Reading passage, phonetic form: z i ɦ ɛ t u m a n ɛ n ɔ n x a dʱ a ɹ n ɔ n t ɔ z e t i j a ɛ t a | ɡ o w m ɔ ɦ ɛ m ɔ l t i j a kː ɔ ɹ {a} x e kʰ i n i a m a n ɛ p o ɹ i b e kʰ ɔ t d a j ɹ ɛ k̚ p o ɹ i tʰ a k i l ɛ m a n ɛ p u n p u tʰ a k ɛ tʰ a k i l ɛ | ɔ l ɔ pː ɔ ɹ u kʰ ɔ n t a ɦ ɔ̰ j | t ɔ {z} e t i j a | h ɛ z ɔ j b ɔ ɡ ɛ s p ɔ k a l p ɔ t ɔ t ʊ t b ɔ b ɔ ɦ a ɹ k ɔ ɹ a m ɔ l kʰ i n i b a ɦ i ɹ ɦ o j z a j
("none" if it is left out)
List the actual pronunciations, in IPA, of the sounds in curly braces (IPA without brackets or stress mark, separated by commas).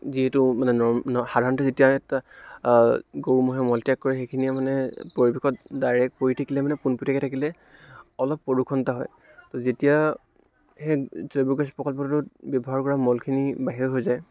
ɛ, z